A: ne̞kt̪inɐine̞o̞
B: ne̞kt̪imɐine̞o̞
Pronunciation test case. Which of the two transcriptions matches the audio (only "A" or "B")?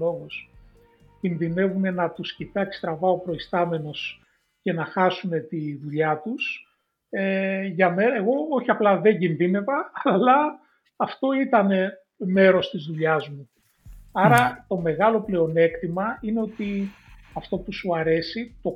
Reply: B